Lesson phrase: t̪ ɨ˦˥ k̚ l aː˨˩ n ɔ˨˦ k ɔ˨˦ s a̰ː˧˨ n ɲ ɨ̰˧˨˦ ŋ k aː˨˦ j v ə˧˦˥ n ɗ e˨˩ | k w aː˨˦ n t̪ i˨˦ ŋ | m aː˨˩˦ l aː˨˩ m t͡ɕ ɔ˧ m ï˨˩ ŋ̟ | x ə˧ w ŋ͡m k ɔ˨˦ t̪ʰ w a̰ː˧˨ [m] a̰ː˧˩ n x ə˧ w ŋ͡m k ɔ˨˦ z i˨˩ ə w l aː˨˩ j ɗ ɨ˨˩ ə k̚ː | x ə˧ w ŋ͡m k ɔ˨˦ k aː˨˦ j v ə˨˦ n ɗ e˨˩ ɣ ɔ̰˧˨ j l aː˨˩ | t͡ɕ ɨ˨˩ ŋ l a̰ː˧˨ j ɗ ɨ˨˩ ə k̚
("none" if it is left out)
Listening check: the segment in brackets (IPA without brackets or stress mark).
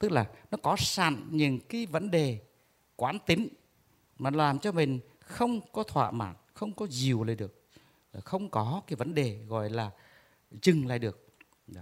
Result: m